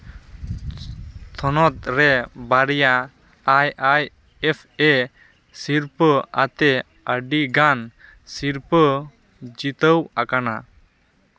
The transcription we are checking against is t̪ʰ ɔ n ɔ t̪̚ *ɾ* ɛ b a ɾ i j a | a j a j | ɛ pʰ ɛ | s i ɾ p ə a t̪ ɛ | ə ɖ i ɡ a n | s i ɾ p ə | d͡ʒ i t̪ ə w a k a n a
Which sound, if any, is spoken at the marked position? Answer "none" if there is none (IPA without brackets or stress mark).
ɾ